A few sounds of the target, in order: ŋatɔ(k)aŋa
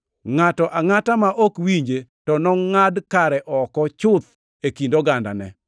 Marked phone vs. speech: incorrect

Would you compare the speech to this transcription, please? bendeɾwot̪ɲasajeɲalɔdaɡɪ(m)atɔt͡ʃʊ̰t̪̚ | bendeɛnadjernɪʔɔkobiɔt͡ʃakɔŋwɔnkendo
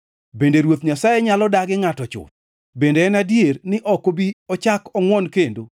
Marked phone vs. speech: incorrect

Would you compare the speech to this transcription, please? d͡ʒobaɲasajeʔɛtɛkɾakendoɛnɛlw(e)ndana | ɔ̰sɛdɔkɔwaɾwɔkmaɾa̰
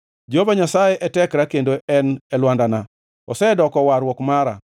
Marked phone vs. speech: incorrect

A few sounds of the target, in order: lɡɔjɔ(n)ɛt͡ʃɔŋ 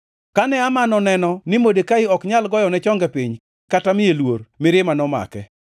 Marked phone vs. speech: correct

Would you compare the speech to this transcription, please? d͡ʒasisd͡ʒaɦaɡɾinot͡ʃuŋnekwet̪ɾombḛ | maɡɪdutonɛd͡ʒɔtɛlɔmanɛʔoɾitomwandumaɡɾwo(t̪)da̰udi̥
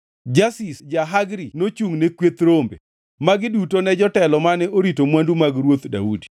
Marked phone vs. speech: correct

